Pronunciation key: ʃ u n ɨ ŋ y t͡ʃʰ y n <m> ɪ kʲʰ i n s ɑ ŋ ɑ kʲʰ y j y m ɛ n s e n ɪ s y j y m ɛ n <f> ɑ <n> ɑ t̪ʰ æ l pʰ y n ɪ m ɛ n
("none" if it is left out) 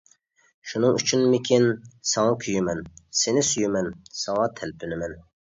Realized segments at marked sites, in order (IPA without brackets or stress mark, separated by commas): m, s, ŋ